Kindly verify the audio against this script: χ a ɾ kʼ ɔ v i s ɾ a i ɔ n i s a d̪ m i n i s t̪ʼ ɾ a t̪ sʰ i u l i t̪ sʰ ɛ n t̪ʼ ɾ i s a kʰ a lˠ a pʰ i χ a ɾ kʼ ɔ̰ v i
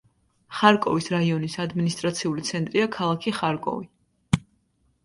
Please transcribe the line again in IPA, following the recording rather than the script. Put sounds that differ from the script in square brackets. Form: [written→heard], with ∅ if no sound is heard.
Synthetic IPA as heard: χ a ɾ kʼ ɔ v i s ɾ a i ɔ n i s a d̪ m i n i s t̪ʼ ɾ a t̪ sʰ i u l i t̪ sʰ ɛ n t̪ʼ ɾ i [s→∅] a kʰ a lˠ a [pʰ→kʰ] i χ a ɾ kʼ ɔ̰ v i

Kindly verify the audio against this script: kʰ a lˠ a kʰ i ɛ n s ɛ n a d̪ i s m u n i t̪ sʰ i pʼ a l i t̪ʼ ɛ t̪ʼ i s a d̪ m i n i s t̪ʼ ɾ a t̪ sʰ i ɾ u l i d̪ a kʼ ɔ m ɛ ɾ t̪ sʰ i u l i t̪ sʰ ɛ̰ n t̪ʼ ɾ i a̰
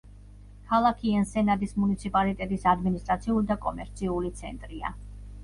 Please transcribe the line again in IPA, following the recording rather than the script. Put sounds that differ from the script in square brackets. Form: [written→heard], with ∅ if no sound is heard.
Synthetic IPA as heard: kʰ a lˠ a kʰ i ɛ n s ɛ n a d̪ i s m u n i t̪ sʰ i pʼ a l i t̪ʼ ɛ t̪ʼ i s a d̪ m i n i s t̪ʼ ɾ a t̪ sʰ i [ɾ→∅] u l i d̪ a kʼ ɔ m ɛ ɾ t̪ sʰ i u l i t̪ sʰ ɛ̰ n t̪ʼ ɾ i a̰

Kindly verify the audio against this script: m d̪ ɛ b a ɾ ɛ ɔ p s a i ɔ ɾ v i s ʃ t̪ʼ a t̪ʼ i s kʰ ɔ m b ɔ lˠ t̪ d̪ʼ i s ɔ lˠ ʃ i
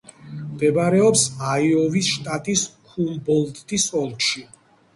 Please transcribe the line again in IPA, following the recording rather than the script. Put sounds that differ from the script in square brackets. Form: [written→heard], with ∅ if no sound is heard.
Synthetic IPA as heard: m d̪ ɛ b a ɾ ɛ ɔ p s a i ɔ [ɾ→∅] v i s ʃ t̪ʼ a t̪ʼ i s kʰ [ɔ→u] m b ɔ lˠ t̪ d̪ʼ i s ɔ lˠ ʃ i

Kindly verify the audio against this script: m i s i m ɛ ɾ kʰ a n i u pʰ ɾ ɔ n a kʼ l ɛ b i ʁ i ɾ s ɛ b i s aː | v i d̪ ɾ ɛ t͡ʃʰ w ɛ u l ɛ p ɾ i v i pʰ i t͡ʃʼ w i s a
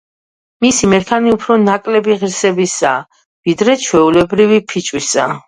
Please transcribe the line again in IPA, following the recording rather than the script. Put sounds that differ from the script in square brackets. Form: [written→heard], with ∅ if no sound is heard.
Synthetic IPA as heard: m i s i m ɛ ɾ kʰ a n i u pʰ ɾ ɔ n a kʼ l ɛ b i ʁ i ɾ s ɛ b i s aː | v i d̪ ɾ ɛ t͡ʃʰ w ɛ u l ɛ [p→b] ɾ i v i pʰ i t͡ʃʼ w i s a

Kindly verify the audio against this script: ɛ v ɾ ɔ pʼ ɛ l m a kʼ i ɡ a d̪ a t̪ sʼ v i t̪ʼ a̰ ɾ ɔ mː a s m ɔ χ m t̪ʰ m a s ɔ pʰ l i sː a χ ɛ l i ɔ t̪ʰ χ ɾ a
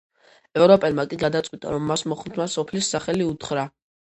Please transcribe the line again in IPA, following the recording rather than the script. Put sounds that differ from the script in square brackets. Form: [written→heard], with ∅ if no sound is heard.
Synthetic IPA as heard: ɛ v ɾ ɔ pʼ ɛ l m a kʼ i ɡ a d̪ a t̪ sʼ [v→w] i t̪ʼ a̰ ɾ ɔ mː a s m ɔ χ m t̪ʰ m a s ɔ pʰ l i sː a χ ɛ l i [ɔ→u] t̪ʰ χ ɾ a

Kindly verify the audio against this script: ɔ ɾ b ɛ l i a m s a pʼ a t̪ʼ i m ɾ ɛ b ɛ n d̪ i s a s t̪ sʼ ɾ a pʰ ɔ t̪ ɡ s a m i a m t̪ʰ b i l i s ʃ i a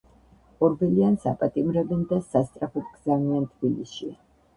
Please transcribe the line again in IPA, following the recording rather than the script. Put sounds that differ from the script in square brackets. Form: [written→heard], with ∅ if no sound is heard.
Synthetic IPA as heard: ɔ ɾ b ɛ l i a [m→n] s a pʼ a t̪ʼ i m ɾ ɛ b ɛ n d̪ [i→a] s a s t̪ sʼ ɾ a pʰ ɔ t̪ ɡ [s→z] a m i a [m→n] t̪ʰ b i l i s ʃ i a

